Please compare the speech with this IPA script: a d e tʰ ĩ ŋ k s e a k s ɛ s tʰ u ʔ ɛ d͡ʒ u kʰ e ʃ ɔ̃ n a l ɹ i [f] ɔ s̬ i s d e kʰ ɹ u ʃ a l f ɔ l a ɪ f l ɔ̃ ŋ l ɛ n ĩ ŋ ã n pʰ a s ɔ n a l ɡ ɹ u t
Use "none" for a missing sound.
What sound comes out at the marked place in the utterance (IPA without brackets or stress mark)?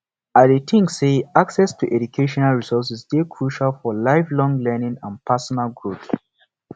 s